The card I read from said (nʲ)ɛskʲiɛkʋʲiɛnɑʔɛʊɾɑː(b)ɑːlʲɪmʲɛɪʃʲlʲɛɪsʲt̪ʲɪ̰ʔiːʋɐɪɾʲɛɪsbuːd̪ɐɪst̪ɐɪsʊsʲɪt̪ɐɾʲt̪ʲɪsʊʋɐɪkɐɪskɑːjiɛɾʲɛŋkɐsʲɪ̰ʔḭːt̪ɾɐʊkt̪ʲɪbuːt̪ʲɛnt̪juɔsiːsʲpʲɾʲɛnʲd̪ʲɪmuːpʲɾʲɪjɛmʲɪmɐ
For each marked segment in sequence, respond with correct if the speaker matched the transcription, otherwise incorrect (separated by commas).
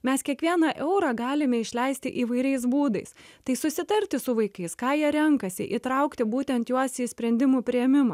incorrect, incorrect